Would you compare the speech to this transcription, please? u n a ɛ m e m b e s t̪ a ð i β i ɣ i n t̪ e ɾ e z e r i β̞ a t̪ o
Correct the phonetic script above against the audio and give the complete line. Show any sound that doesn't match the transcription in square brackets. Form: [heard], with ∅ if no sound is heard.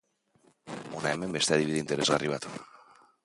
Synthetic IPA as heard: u n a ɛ m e m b e s t̪ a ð i β i [ð] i n t̪ e ɾ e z [a] r i β̞ a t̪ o